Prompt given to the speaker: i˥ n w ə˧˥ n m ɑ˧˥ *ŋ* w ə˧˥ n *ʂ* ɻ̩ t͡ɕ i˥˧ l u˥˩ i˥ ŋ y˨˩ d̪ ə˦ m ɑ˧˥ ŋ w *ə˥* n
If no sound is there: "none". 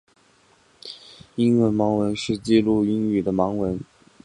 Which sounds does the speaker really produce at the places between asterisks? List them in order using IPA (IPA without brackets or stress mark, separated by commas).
ŋ, ʂ, ə˧˥